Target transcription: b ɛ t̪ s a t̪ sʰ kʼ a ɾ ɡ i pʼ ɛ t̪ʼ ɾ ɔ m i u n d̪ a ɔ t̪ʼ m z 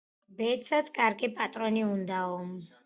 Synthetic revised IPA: b ɛ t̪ s a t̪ sʰ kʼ a ɾ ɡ i pʼ a t̪ʼ ɾ ɔ n i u n d̪ a ɔ m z